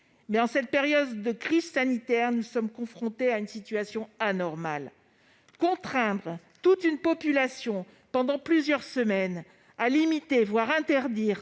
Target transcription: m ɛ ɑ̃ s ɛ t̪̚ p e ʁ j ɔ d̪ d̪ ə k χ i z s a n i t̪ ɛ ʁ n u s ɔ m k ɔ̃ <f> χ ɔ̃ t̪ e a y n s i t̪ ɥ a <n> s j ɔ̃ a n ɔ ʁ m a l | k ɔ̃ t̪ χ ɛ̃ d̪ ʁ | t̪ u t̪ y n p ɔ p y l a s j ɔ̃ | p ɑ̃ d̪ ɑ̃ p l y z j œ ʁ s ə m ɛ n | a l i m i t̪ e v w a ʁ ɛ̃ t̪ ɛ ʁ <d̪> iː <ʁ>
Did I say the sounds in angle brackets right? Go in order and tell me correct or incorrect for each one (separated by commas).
correct, incorrect, correct, correct